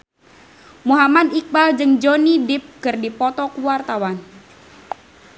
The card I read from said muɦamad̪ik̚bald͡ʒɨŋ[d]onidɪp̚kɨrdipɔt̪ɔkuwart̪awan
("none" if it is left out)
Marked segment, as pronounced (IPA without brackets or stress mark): d͡ʒ